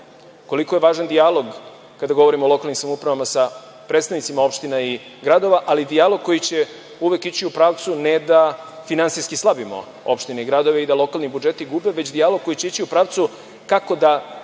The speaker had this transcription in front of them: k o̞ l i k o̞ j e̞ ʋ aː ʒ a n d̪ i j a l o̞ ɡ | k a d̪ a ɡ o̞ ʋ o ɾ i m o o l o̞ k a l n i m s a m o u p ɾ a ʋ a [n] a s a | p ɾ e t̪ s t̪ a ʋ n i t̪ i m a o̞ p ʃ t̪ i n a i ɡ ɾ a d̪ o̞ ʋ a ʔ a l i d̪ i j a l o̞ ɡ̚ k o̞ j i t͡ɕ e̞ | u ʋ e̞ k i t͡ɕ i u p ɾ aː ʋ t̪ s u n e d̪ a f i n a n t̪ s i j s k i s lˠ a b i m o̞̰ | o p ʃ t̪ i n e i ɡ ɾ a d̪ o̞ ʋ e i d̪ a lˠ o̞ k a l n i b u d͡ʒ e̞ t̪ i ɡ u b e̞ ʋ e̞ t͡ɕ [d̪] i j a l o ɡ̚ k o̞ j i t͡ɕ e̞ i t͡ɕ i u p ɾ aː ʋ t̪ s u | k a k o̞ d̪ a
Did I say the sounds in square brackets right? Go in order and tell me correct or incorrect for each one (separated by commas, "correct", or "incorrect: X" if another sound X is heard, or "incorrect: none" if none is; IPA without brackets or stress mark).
incorrect: m, correct